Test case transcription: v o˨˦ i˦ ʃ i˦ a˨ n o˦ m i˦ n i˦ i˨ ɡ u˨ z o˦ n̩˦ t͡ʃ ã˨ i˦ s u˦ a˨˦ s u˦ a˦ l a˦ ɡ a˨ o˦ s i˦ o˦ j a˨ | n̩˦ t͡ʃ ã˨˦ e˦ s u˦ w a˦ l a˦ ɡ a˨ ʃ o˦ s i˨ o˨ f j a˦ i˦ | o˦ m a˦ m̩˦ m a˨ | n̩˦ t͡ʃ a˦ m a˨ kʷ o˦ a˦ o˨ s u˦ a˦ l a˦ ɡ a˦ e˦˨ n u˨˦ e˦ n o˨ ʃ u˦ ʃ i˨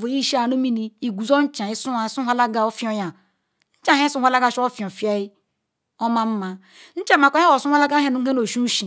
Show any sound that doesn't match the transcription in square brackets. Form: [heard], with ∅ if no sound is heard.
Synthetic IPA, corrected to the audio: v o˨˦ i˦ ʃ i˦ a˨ n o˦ m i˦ n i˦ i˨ ɡ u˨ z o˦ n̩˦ t͡ʃ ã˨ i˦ s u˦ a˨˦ s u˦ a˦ l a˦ ɡ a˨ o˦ [f] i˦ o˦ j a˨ | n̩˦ t͡ʃ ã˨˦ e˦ s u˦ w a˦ l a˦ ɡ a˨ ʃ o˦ [f] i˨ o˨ f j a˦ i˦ | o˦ m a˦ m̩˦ m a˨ | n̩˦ t͡ʃ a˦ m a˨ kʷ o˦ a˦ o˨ s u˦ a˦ l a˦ ɡ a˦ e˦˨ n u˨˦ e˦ n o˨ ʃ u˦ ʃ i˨

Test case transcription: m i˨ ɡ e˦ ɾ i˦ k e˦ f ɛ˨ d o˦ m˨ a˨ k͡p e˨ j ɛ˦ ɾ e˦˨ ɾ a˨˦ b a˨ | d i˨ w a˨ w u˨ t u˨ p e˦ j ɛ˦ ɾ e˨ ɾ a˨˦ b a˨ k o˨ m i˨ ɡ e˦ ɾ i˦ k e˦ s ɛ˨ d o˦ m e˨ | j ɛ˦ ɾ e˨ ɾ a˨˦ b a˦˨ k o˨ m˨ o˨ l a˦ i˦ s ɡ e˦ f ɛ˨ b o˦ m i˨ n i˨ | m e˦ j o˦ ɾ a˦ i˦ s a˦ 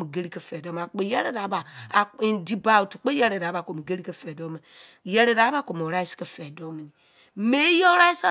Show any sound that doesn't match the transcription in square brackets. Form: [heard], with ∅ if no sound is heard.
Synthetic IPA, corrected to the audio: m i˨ ɡ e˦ ɾ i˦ k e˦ f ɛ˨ d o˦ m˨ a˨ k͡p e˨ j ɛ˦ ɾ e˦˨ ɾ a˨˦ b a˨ | d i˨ [b] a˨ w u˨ t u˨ [k͡p] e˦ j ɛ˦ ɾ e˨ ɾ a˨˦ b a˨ k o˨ m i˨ ɡ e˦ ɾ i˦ k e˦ [f] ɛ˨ d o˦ m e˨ | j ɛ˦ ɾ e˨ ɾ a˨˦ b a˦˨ k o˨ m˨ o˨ [ɾ] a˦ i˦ s [k] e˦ f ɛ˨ [d] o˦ m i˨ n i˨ | m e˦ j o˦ ɾ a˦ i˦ s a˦

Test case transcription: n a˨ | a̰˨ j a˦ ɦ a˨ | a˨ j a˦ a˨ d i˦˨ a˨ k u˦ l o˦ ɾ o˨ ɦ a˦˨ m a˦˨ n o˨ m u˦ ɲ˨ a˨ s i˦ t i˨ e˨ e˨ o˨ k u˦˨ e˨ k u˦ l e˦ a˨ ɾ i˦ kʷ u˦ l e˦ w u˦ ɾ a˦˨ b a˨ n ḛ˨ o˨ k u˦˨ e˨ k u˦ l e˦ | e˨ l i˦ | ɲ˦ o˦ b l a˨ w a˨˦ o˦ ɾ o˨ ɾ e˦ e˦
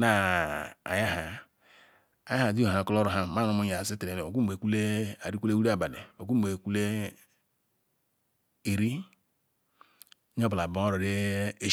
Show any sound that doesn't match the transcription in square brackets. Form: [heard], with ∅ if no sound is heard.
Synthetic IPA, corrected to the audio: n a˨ | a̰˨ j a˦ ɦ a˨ | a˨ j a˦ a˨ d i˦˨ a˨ k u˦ l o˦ ɾ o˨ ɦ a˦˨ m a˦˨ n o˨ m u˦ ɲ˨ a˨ s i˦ t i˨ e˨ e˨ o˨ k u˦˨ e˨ k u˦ l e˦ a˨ ɾ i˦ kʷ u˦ l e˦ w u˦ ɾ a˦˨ b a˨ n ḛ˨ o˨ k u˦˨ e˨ k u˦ l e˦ | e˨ [ɾ] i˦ | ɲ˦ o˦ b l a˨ [b] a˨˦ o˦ ɾ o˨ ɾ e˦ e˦

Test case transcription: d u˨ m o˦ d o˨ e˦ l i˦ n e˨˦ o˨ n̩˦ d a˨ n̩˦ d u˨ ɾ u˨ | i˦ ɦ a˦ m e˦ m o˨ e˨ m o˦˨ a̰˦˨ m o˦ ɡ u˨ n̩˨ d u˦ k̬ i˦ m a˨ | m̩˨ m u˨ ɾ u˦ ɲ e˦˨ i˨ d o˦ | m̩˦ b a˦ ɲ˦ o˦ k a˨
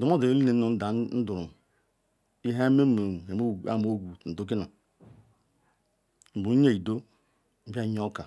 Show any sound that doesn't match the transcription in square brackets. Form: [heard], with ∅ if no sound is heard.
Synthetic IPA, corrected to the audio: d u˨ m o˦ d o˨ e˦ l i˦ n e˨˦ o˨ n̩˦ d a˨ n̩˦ d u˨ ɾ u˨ | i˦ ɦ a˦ m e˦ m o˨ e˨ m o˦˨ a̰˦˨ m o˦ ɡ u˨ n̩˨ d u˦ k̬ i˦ [n] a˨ | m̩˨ [b] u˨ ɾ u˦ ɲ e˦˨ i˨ d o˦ | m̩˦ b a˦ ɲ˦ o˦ k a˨

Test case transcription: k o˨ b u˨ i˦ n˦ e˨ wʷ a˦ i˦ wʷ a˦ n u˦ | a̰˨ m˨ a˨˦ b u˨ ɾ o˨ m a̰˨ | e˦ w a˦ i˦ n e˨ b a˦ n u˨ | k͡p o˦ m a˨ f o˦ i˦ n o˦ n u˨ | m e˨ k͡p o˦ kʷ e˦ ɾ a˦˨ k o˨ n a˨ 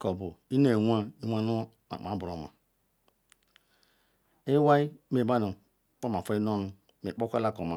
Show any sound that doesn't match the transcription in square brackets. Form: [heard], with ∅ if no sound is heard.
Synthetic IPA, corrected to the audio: k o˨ b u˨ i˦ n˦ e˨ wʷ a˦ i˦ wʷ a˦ n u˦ | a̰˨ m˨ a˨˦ b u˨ ɾ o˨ m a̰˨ | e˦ w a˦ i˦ [m] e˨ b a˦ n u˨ | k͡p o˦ m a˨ f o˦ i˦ n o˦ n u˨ | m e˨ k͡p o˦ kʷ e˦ [l] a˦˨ k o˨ [m] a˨

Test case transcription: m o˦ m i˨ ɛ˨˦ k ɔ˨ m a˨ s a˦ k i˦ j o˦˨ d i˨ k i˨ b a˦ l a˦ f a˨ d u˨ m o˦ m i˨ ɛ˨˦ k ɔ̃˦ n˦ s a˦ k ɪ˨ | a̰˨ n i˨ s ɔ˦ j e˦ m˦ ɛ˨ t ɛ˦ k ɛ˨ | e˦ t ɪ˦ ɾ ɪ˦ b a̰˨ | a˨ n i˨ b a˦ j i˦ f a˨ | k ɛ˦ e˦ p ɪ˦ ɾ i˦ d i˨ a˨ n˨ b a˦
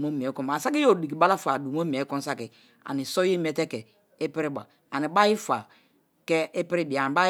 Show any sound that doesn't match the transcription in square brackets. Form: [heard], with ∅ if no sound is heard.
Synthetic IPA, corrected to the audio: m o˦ m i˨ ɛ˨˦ k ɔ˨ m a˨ s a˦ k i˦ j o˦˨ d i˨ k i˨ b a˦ l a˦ f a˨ d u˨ m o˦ m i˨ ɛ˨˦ k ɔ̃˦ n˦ s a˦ k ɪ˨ | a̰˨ n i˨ s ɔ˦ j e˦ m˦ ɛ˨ t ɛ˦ k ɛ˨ | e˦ [p] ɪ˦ ɾ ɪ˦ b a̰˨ | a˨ n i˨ b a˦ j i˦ f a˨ | k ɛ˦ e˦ p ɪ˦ ɾ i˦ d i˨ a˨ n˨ b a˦

